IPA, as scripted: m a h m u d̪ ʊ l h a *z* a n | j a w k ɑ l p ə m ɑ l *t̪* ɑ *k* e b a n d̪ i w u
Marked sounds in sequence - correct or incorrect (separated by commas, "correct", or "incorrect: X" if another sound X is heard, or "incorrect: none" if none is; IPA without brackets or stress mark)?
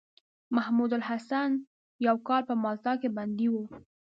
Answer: incorrect: s, correct, correct